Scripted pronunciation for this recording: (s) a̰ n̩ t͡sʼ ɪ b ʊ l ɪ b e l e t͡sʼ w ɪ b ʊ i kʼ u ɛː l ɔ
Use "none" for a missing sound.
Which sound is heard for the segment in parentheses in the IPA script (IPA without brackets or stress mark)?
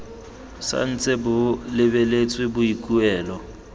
s